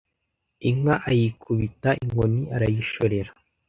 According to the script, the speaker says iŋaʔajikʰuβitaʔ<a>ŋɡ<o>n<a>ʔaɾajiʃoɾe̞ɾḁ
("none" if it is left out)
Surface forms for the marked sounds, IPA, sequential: i, o, i

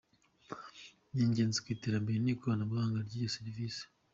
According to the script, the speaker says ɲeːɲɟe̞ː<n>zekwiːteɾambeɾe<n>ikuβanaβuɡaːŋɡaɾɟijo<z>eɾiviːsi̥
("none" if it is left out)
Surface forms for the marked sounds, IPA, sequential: n, n, s

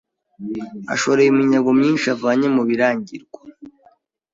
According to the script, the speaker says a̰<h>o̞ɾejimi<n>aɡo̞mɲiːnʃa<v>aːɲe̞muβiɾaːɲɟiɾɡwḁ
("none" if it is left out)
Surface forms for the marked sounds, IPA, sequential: ʃ, ɲ, v

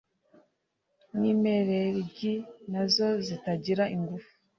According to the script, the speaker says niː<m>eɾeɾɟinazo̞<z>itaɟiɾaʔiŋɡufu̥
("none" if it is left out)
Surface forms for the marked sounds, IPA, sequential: m, z

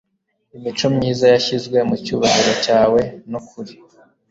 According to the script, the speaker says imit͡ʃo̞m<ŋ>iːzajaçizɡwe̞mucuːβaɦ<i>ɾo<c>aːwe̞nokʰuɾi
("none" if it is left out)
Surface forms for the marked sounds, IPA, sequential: ɲ, i, c

